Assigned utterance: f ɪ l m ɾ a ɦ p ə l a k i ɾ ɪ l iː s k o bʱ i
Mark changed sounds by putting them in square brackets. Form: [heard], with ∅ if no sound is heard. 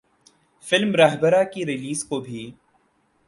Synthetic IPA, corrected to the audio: f ɪ l m ɾ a ɦ [b] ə [ɾ] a k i ɾ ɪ l iː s k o bʱ i